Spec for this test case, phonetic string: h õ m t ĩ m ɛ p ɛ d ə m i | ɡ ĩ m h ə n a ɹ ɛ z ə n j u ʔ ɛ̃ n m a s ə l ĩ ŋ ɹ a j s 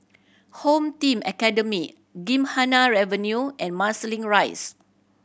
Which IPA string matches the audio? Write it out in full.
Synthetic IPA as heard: h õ m t ĩ m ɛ k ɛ d ə m i | ɡ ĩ m h a n a ɹ ɛ v ə n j u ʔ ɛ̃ n m a s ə l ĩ ŋ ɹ a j s